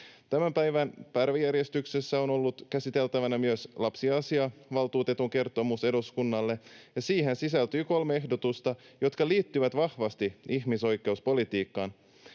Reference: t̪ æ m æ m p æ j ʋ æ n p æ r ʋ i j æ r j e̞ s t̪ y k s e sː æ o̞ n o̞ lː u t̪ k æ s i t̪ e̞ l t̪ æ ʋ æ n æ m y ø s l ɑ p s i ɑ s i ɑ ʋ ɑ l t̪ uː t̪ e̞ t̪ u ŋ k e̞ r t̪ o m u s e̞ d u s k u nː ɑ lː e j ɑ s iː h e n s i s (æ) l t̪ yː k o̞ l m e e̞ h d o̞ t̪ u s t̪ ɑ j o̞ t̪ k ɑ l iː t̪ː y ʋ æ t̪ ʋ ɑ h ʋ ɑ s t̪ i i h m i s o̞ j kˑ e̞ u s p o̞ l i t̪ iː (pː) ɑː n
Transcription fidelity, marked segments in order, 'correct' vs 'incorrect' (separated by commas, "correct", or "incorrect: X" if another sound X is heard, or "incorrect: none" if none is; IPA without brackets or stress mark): correct, incorrect: kː